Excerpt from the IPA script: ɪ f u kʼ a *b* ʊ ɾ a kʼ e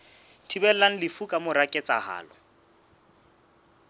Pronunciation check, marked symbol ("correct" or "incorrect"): incorrect